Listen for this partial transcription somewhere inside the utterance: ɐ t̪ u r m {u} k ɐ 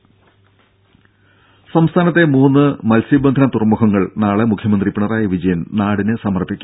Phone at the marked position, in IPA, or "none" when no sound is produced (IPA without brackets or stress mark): u